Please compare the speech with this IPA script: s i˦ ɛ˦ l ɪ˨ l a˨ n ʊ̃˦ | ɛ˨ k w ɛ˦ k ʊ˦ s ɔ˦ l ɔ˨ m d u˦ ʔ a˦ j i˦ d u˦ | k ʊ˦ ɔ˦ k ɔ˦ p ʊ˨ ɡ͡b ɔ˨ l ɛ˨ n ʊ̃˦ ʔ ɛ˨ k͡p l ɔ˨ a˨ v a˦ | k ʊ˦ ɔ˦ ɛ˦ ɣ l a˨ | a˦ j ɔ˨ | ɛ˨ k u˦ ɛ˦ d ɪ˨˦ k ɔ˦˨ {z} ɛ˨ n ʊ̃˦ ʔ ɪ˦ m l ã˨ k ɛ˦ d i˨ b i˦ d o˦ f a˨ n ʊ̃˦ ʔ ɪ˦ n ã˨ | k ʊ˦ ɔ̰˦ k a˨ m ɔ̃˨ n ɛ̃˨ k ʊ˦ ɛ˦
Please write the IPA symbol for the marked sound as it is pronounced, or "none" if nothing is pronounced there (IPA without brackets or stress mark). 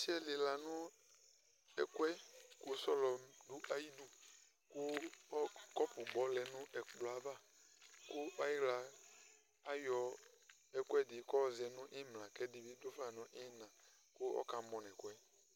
z